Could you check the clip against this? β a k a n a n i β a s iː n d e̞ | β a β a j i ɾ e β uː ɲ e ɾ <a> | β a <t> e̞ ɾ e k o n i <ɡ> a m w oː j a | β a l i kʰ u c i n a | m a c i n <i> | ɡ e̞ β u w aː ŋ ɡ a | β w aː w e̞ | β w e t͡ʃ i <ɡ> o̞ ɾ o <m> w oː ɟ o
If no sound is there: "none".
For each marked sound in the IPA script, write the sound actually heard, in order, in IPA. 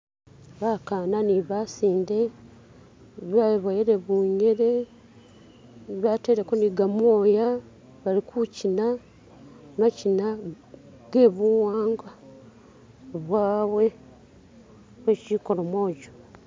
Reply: e, t, ɡ, a, k, m

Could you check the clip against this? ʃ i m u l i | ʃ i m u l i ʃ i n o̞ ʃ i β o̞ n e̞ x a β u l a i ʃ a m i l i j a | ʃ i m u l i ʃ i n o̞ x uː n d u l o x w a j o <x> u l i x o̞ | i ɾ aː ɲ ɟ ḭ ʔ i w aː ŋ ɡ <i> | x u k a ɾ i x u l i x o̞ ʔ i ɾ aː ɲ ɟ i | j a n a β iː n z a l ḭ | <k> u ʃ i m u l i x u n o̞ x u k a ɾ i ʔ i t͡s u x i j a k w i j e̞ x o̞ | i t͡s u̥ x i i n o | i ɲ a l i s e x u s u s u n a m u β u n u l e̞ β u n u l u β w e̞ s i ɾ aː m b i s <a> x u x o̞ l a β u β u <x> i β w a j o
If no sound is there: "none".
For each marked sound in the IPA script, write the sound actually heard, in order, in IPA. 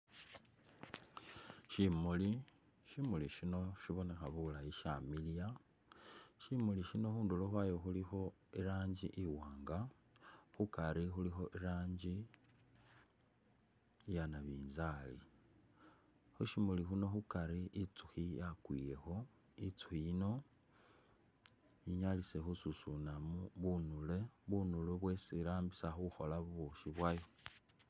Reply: x, a, x, a, ʃ

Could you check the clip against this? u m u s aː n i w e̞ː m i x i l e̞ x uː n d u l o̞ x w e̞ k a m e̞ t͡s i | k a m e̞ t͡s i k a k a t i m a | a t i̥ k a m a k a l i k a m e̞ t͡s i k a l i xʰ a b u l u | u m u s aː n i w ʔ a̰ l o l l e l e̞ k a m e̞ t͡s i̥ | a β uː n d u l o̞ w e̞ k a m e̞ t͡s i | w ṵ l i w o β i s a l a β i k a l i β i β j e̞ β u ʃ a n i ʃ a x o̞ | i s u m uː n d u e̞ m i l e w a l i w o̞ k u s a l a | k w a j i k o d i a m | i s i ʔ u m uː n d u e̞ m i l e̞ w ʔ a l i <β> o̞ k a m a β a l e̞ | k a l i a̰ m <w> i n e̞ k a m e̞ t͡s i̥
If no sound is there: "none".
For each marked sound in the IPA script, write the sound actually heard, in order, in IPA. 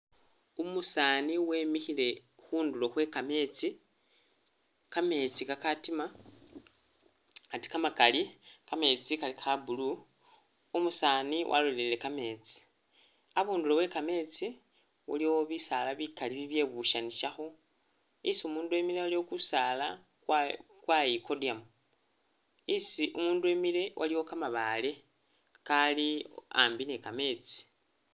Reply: w, b

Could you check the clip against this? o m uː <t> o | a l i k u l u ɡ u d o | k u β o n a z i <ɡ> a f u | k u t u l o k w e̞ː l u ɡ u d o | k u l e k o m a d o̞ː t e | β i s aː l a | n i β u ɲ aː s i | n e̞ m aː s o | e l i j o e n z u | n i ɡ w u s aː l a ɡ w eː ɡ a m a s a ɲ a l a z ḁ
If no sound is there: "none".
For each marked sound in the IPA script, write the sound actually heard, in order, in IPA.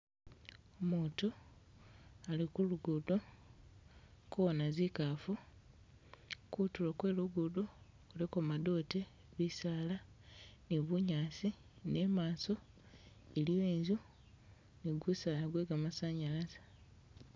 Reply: t, k

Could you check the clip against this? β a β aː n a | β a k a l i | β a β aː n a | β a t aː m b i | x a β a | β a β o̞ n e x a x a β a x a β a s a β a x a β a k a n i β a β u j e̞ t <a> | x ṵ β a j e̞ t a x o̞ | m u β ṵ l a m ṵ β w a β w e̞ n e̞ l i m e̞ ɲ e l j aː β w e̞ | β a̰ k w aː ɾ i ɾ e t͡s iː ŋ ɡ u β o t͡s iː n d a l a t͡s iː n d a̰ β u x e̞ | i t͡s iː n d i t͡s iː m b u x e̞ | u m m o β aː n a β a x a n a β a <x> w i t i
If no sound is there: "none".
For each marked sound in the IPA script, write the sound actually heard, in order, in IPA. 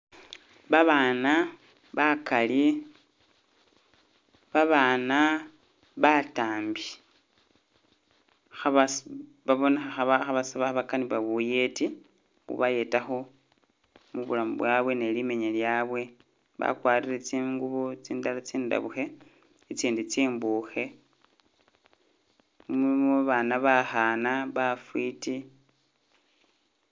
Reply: i, f

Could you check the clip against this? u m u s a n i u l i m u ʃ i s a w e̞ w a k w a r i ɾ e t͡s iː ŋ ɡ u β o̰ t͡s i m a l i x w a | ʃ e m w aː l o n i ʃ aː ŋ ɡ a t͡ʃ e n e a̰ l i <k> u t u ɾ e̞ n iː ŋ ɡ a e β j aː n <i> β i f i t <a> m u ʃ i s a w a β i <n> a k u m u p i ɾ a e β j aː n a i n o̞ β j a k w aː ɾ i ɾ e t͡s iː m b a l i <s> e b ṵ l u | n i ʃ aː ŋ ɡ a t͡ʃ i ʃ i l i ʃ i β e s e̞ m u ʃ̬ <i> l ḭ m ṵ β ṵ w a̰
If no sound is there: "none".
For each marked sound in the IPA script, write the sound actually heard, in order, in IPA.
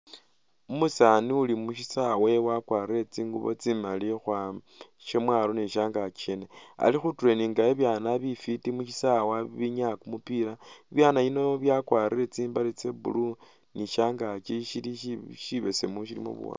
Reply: x, a, i, ɲ, t͡s, i

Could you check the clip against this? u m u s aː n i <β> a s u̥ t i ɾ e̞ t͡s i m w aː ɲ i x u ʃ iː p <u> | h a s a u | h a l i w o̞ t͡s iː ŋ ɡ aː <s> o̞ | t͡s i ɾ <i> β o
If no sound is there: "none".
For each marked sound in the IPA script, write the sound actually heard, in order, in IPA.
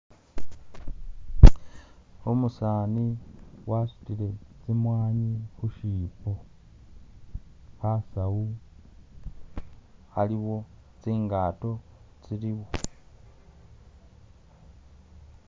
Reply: w, o, t, i

